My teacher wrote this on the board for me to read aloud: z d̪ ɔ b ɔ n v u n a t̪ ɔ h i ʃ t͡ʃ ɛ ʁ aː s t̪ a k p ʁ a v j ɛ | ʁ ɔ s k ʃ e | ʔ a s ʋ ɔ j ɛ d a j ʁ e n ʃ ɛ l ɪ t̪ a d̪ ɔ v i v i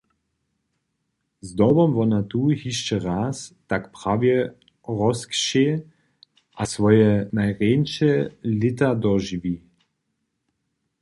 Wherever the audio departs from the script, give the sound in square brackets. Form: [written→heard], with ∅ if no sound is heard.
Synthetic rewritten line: z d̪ ɔ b ɔ [n→m] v [u→ɔ] n a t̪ [ɔ→u] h i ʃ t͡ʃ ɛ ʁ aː s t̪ a k p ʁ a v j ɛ | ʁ ɔ s k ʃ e | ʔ a s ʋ ɔ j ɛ [d→n] a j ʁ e n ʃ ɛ l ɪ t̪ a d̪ ɔ [v→ʒ] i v i

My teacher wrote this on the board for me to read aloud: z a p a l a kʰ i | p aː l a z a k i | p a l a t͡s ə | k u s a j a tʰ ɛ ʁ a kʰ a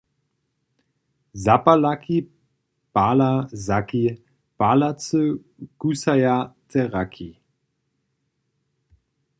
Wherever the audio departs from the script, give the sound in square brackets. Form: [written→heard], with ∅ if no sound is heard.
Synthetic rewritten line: z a p a l a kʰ i | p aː l a z a k i | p a l a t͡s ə | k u s a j a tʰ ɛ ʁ a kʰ [a→i]

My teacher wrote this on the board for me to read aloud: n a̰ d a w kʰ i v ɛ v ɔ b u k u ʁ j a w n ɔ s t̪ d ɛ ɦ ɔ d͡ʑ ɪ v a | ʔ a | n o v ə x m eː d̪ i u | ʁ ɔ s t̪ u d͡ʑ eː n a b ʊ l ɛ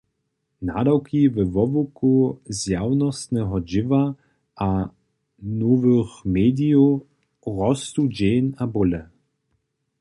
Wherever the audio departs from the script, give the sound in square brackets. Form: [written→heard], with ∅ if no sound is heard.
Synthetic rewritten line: n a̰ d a w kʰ i v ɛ v ɔ [b→v] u k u [ʁ→z] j a w n ɔ s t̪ [d→n] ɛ ɦ ɔ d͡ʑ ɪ v a | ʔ a | n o v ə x m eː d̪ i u | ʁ ɔ s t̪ u d͡ʑ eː n a b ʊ l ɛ

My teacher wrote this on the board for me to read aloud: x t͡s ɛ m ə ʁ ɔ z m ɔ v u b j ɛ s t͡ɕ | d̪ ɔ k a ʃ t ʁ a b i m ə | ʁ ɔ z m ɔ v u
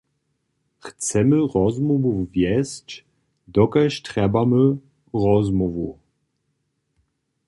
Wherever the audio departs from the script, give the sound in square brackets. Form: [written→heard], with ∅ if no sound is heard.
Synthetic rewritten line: x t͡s ɛ m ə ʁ ɔ z m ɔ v u [b→v] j ɛ s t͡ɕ | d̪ ɔ k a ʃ t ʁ [a→ɛ] b [i→a] m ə | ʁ ɔ z m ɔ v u

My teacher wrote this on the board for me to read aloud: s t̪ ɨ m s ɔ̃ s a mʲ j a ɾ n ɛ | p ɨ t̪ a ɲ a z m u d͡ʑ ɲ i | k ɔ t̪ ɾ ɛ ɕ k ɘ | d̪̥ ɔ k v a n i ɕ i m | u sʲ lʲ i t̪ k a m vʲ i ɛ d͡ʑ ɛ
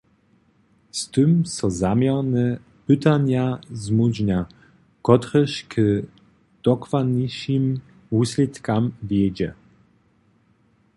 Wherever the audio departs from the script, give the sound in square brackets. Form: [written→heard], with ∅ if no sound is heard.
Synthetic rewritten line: s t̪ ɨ m s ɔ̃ [s→z] a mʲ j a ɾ n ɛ | p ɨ t̪ a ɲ a z m u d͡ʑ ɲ [i→a] | k ɔ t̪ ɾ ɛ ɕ k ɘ | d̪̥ ɔ k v a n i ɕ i m | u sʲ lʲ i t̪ k a m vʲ [i→j] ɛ d͡ʑ ɛ

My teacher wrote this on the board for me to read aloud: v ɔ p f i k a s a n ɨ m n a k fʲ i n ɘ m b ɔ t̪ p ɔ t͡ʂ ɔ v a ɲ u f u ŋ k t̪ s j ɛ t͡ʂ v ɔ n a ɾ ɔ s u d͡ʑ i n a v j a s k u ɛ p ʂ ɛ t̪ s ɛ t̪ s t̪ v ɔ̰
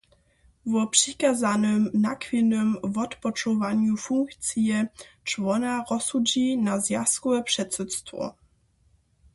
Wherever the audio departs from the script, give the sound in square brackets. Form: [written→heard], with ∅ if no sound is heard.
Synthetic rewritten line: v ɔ p [f→ʂ] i k a [s→z] a n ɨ m n a k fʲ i n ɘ m [b→v] ɔ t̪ p ɔ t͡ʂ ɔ v a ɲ u f u ŋ k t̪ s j ɛ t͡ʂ v ɔ n a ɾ ɔ s u d͡ʑ i n a [v→z] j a s k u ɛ p ʂ ɛ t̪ s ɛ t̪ s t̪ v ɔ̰

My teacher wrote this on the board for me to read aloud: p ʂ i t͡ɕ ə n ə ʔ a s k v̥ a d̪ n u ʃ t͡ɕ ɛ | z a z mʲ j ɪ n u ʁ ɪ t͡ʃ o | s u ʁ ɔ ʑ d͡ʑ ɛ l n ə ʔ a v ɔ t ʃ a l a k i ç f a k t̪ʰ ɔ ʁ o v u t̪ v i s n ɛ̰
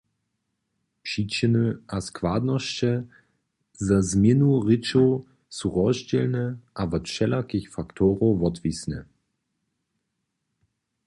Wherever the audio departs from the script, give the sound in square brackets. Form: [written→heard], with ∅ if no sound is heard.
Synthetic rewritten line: p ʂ i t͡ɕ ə n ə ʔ a s k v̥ a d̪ n [u→ɔ] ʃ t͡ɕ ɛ | z a z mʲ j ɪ n u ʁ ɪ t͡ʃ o | s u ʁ ɔ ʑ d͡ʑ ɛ l n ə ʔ a v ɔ t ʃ [a→ɛ] l a k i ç f a k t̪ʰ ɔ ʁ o v [u→ɔ] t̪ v i s n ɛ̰

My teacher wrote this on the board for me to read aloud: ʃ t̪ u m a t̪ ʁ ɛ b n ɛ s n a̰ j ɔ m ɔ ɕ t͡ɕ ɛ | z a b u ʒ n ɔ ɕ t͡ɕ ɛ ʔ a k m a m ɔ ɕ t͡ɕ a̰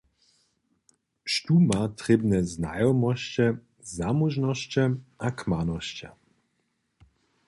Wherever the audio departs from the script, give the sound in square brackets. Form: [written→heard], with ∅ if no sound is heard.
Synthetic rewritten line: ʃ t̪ u m a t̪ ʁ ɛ b n ɛ [s→z] n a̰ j ɔ m ɔ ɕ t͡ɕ ɛ | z a [b→m] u ʒ n ɔ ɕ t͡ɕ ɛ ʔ a k m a [m→n] ɔ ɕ t͡ɕ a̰

